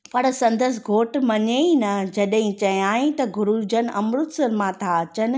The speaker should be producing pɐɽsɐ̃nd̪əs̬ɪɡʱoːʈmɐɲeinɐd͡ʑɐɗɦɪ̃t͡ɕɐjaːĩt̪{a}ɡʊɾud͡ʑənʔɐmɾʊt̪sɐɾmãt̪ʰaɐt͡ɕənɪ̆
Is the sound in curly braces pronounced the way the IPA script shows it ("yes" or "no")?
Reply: no